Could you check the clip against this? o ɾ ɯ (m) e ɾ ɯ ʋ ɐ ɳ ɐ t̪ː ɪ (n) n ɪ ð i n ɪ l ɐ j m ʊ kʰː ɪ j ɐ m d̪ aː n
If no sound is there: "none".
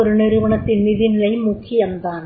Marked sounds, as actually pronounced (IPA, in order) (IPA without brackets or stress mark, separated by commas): n, n